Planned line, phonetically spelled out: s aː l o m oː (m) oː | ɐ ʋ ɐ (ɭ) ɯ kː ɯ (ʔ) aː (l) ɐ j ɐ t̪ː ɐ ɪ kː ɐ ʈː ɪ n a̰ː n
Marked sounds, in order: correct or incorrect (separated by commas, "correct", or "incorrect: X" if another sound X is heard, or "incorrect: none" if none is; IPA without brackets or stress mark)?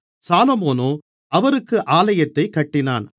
incorrect: n, incorrect: ɾ, correct, correct